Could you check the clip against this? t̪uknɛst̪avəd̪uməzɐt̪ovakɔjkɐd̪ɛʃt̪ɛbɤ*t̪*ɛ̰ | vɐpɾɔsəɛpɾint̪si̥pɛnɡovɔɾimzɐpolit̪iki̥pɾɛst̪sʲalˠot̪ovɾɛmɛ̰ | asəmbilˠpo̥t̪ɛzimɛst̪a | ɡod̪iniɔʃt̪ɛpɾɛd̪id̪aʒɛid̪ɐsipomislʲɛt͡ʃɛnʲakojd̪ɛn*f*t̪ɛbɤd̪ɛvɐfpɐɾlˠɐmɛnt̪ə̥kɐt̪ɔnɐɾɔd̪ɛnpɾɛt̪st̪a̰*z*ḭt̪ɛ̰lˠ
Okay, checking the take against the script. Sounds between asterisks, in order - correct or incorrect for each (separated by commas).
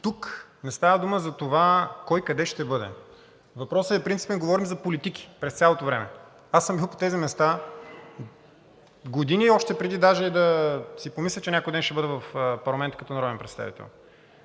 incorrect, incorrect, incorrect